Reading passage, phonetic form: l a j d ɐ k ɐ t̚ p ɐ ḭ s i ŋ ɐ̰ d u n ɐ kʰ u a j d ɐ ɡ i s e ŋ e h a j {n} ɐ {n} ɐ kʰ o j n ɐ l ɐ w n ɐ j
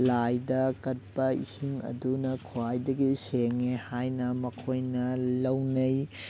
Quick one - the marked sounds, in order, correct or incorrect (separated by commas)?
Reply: correct, incorrect